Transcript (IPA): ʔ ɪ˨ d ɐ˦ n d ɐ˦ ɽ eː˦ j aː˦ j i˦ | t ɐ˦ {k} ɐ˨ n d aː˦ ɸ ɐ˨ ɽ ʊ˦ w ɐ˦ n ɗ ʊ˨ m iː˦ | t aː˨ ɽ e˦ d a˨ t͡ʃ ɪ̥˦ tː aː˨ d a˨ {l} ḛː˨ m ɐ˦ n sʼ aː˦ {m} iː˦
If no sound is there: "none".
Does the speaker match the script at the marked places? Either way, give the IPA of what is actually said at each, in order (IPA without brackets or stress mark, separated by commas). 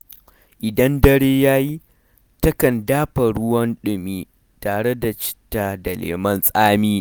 k, l, m